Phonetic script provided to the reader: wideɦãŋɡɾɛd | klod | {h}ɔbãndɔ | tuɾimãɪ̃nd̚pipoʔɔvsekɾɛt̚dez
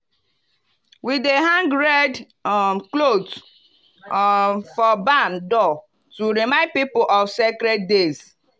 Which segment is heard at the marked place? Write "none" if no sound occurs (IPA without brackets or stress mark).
f